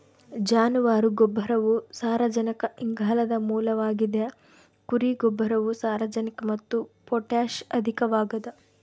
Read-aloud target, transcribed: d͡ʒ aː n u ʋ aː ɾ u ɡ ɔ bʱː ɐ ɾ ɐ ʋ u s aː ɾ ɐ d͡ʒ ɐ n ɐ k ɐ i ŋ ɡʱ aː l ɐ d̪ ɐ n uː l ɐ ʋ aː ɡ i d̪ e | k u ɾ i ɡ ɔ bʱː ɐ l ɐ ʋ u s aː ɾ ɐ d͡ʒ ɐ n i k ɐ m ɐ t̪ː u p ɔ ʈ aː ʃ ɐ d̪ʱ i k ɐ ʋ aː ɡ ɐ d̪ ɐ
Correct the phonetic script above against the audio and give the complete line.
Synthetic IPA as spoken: d͡ʒ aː n u ʋ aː ɾ u ɡ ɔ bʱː ɐ ɾ ɐ ʋ u s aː ɾ ɐ d͡ʒ ɐ n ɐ k ɐ i ŋ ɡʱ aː l ɐ d̪ ɐ m uː l ɐ ʋ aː ɡ i d̪ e | k u ɾ i ɡ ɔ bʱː ɐ ɾ ɐ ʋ u s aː ɾ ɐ d͡ʒ ɐ n i k ɐ m ɐ t̪ː u p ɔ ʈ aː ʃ ɐ d̪ʱ i k ɐ ʋ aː ɡ ɐ d̪ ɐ